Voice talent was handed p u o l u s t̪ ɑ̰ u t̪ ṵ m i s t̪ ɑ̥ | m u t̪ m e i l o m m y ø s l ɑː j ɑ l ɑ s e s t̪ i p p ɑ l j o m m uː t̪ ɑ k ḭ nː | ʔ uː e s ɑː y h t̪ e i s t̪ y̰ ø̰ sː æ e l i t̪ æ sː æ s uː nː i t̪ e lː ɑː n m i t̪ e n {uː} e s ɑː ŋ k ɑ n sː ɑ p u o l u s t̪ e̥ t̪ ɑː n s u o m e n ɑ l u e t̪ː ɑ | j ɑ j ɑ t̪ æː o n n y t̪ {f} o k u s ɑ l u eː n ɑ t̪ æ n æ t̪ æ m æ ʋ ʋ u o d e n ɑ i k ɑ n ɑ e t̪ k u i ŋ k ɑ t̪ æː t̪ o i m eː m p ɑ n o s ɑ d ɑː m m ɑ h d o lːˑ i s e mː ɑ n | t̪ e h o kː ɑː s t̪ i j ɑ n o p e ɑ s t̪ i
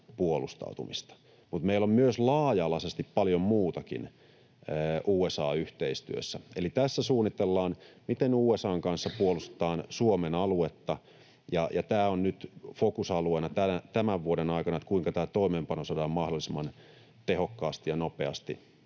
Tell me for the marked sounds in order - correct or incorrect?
correct, correct

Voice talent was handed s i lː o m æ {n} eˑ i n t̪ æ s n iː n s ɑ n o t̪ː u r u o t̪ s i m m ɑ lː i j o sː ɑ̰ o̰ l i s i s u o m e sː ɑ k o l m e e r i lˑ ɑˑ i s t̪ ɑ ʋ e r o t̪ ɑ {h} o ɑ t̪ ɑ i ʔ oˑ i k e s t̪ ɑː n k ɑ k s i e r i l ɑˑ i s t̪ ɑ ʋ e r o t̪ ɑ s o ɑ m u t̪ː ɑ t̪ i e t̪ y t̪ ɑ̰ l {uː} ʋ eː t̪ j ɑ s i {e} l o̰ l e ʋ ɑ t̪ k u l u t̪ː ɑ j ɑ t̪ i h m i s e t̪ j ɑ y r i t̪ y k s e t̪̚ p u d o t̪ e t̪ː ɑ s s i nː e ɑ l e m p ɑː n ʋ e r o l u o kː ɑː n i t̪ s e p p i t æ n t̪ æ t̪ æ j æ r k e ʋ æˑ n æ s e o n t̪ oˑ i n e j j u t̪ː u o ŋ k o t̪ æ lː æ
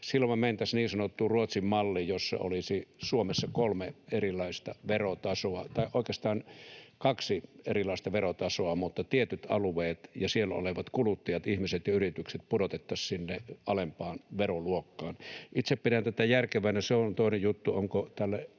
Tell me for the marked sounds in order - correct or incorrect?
incorrect: m, incorrect: s, incorrect: u, correct

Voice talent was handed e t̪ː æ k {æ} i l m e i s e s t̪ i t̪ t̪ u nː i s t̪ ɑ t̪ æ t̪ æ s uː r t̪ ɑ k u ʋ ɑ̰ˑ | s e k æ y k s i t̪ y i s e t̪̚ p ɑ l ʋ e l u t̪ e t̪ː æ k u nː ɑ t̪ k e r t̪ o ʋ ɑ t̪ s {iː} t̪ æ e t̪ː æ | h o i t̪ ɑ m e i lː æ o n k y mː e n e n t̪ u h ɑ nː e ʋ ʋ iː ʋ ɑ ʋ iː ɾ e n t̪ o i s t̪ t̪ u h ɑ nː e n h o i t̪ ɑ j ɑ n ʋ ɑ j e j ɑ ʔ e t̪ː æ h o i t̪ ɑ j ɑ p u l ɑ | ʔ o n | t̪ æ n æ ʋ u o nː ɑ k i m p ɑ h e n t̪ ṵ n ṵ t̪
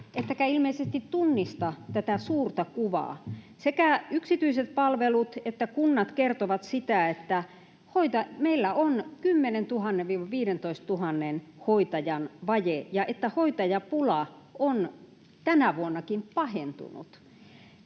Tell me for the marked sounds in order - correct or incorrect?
correct, incorrect: i

